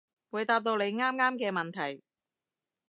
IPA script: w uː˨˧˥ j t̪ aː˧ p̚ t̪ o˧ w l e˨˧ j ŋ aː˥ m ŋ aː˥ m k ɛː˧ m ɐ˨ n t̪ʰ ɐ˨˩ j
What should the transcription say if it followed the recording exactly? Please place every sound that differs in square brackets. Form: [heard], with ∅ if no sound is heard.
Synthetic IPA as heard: w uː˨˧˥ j t̪ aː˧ p̚ t̪ o˧ w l e˨˧ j ŋ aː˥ m ŋ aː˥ m k ɛː˧ m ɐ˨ n t̪ʰ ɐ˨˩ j